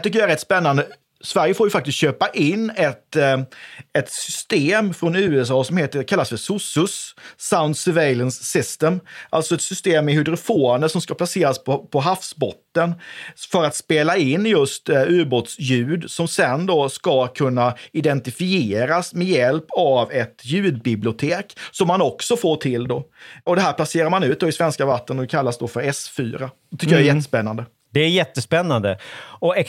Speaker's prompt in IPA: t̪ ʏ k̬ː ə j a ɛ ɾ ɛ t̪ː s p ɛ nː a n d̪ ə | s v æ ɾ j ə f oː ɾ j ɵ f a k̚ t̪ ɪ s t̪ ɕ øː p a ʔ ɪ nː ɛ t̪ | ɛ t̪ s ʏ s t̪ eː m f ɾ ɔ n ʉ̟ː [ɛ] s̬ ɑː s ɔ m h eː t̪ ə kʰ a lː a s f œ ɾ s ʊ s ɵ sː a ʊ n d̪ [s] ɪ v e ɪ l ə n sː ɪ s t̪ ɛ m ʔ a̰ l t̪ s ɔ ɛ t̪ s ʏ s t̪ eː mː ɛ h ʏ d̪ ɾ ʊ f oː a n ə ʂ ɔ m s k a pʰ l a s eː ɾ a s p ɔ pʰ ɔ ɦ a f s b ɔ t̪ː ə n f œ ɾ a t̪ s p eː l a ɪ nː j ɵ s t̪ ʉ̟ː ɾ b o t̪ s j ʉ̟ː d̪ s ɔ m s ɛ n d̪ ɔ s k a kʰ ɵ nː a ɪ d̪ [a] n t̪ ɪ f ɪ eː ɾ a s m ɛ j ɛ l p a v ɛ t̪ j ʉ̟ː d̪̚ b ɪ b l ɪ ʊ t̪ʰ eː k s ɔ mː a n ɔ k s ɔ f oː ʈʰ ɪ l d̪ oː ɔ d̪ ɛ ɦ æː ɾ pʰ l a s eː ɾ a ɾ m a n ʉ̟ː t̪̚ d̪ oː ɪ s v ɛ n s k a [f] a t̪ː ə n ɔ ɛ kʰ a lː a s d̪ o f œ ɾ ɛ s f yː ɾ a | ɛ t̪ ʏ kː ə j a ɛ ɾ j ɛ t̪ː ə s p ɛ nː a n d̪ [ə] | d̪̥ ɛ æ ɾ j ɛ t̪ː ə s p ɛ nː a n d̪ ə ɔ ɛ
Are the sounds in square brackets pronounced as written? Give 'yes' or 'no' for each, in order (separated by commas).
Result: yes, yes, no, no, yes